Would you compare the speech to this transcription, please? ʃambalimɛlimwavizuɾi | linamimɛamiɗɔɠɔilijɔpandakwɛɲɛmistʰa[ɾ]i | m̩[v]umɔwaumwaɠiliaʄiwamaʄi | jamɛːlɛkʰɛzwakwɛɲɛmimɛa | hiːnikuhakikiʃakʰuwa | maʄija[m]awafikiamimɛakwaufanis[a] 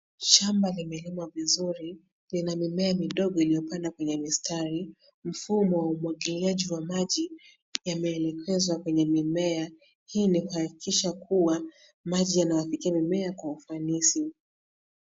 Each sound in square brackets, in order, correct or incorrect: correct, incorrect: f, incorrect: n, incorrect: i

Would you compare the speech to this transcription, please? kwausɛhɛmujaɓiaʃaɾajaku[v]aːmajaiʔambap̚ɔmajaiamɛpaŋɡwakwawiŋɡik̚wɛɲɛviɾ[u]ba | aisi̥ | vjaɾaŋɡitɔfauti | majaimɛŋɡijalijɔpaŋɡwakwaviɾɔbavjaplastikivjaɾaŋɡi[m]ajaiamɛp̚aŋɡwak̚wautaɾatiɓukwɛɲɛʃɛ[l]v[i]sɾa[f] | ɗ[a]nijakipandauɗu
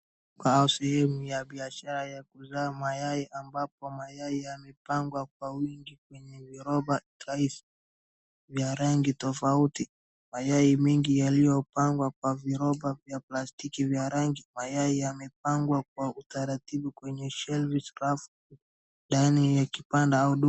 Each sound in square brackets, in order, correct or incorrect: incorrect: z, incorrect: ɔ, correct, correct, correct, correct, correct

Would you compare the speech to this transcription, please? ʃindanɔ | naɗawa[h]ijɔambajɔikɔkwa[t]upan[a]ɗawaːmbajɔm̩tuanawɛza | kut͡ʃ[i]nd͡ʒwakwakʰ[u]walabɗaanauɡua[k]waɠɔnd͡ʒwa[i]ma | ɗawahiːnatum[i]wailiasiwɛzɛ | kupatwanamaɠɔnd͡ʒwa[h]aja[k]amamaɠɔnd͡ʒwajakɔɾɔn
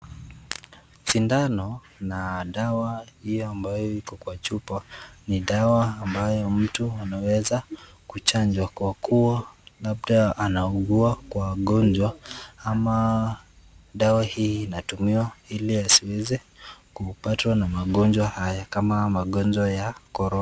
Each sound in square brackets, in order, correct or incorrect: correct, incorrect: t͡ʃ, incorrect: i, incorrect: a, correct, correct, incorrect: a, correct, correct, correct

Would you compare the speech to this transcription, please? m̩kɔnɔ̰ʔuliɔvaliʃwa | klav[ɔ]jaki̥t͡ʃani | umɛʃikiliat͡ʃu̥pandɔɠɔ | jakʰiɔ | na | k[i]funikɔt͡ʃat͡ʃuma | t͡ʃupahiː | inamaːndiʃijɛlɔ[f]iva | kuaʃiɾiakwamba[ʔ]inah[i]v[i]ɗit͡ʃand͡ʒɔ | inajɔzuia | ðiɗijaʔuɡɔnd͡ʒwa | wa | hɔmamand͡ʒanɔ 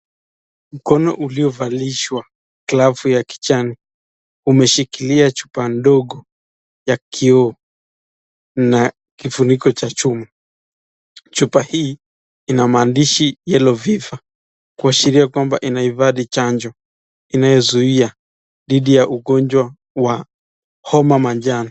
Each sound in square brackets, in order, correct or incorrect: incorrect: u, correct, incorrect: v, correct, correct, incorrect: a

